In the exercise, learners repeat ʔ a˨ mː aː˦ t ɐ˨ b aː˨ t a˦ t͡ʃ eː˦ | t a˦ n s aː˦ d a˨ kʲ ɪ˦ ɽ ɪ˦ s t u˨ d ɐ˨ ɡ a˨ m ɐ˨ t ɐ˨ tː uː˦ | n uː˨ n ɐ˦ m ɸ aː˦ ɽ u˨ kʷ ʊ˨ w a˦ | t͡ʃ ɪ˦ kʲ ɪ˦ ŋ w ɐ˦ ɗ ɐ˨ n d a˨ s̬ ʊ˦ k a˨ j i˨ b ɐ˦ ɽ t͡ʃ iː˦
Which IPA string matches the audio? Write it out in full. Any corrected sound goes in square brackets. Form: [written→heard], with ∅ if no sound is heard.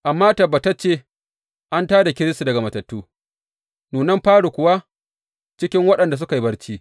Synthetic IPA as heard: ʔ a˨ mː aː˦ t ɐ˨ b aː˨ t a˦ t͡ʃ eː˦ | [t→ʔ] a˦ n [s→t] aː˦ d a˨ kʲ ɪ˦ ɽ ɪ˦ s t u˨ d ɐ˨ ɡ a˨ m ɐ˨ t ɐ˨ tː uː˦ | n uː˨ n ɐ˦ m ɸ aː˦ ɽ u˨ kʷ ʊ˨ w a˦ | t͡ʃ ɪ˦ kʲ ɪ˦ ŋ w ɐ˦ ɗ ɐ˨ n d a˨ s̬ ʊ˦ k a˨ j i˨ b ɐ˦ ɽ t͡ʃ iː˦